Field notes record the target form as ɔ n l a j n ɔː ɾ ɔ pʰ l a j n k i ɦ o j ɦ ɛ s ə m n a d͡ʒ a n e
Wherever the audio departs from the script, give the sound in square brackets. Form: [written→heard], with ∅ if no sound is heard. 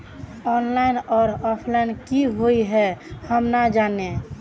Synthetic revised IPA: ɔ n l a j n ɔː ɾ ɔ pʰ l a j n k i ɦ o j ɦ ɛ [s→h] ə m n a d͡ʒ a n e